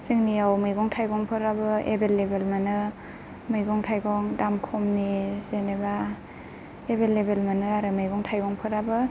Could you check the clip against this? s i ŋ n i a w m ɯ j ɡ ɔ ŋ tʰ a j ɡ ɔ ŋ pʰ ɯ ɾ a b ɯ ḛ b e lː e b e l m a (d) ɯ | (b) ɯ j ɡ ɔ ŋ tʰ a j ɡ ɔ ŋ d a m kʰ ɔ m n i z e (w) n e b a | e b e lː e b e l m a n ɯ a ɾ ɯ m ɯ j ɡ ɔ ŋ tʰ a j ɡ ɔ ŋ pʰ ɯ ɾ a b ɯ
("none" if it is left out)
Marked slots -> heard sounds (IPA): n, m, none

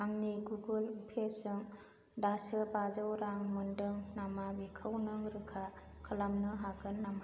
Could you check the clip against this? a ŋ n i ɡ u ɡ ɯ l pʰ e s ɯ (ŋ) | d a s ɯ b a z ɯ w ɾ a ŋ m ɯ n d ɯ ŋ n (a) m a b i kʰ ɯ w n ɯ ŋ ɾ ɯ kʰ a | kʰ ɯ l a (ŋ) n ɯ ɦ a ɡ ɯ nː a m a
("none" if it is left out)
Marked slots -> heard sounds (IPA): ŋ, a, m

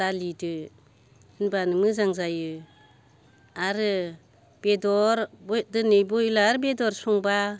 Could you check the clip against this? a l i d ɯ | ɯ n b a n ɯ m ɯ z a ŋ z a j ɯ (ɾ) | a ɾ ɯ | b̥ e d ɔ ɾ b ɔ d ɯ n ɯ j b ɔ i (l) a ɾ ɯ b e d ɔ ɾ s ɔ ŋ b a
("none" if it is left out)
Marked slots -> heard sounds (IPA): none, l

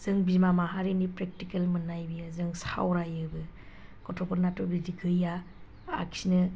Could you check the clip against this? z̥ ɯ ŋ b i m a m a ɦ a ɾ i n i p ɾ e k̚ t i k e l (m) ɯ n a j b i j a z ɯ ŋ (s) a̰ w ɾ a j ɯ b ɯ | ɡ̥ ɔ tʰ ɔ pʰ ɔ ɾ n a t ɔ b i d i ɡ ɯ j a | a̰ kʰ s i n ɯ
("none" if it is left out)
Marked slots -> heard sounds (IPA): m, s

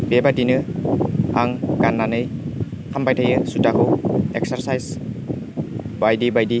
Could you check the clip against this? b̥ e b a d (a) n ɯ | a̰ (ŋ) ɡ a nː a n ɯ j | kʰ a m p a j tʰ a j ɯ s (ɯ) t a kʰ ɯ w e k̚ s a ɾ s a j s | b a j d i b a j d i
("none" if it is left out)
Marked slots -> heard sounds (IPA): i, ŋ, u

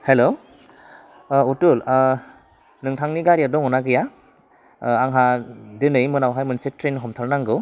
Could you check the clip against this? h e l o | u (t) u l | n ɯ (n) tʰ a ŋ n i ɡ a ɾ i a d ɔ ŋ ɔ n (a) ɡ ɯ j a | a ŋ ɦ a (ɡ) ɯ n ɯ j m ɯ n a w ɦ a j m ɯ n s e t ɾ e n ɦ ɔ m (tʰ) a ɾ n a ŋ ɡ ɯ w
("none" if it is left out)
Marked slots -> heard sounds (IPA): t, ŋ, a, d, tʰ

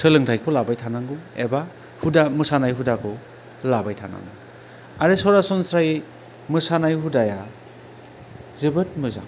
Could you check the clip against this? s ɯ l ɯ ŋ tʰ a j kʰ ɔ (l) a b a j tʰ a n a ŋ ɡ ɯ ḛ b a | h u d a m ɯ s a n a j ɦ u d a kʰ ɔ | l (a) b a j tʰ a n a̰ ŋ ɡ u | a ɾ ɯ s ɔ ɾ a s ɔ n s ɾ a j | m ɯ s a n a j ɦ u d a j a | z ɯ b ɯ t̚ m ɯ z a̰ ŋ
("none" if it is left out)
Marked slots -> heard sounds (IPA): l, a

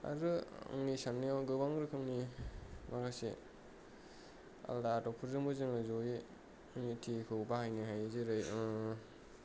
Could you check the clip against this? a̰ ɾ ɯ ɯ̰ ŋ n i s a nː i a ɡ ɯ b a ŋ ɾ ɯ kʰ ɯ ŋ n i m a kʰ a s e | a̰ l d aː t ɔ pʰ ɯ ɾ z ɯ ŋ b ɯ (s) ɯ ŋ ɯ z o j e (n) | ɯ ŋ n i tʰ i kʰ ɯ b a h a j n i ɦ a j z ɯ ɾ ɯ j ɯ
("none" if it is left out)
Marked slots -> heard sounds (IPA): z, none

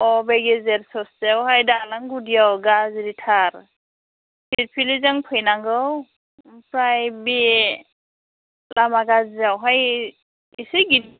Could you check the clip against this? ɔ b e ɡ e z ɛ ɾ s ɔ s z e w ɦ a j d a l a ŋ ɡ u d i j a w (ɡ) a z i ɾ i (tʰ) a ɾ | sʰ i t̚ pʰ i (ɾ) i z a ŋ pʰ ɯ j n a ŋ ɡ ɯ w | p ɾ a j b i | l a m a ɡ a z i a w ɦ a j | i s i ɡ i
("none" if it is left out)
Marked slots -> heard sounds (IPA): ɡ, tʰ, l

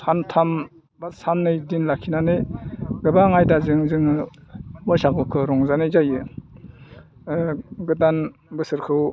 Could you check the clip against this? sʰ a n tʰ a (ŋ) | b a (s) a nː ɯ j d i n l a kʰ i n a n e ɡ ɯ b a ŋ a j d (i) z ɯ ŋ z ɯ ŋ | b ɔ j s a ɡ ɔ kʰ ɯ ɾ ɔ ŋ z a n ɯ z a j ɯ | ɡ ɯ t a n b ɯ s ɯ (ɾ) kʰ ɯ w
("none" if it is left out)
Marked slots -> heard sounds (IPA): m, s, a, ɾ

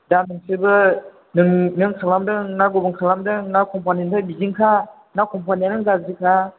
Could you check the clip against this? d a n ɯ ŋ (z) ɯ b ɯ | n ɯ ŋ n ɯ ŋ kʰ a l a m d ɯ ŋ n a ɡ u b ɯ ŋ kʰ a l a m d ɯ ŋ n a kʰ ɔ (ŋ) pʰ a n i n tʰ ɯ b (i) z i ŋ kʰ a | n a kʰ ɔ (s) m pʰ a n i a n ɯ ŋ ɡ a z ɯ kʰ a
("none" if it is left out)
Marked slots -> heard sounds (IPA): s, m, i, none

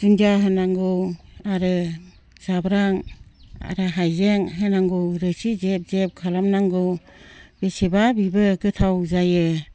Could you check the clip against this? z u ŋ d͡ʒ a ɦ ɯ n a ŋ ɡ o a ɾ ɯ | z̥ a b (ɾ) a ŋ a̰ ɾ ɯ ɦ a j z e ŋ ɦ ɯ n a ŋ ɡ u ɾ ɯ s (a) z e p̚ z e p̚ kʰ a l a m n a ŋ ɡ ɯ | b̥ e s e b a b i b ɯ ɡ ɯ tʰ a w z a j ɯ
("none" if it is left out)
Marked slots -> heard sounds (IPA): ɾ, i

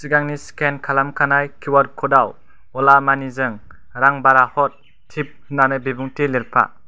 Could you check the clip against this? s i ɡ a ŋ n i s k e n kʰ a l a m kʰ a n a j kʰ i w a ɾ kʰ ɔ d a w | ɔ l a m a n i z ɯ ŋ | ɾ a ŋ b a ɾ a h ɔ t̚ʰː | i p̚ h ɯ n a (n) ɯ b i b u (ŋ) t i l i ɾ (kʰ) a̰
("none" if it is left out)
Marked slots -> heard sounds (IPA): n, ŋ, pʰ

